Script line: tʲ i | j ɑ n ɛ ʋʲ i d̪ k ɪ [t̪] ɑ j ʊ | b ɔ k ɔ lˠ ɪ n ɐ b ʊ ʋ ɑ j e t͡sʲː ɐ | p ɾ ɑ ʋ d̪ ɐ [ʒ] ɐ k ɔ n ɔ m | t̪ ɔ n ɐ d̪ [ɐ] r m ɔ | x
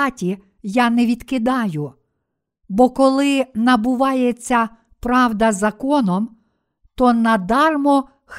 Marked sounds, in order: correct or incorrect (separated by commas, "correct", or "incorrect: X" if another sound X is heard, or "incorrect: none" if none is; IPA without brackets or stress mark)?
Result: incorrect: d̪, incorrect: z, incorrect: ɑ